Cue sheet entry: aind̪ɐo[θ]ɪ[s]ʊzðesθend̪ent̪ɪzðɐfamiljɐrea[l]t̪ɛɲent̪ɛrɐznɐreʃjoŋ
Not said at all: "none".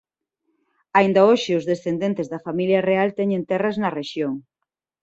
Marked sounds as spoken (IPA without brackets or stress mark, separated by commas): ʃ, none, l